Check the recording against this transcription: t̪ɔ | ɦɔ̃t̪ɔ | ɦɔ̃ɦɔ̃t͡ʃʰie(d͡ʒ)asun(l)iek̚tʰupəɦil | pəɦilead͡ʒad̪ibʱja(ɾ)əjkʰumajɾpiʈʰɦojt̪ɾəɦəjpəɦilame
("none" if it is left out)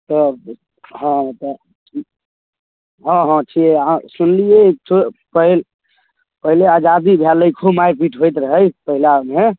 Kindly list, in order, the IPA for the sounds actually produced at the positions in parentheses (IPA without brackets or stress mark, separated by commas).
none, l, l